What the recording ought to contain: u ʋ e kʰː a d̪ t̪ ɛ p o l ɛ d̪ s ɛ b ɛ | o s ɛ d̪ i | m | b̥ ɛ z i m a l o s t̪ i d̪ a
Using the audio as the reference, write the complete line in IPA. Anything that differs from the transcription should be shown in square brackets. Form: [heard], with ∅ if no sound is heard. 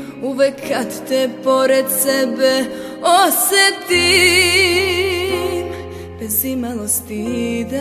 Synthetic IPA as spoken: u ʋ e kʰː a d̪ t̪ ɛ p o [ɾ] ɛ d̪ s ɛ b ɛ | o s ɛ [t̪] i | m | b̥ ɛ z i m a l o s t̪ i d̪ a